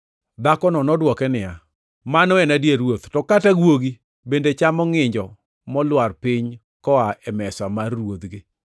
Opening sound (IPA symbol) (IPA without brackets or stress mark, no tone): d̪